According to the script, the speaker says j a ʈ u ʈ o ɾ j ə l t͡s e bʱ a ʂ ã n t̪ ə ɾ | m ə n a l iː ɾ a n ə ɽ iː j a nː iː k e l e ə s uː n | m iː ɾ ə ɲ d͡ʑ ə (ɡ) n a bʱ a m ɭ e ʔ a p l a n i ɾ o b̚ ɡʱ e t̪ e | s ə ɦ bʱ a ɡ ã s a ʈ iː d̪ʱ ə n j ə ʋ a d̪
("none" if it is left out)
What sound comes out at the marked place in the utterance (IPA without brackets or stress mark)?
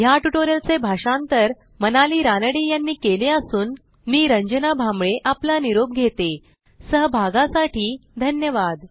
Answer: none